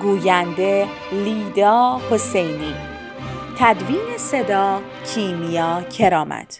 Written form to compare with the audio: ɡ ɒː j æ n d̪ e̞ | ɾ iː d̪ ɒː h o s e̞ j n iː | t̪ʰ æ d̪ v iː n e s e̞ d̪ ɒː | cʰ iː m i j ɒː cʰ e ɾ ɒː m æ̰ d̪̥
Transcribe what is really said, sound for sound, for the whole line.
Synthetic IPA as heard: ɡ uː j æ n d̪ e̞ | l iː d̪ ɒː h o s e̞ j n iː | t̪ʰ æ d̪ v iː n e s e̞ d̪ ɒː | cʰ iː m i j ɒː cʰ e ɾ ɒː m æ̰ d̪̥